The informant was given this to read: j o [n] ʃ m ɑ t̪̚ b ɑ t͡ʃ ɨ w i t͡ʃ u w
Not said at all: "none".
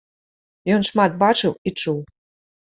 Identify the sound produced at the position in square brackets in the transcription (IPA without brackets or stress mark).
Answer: n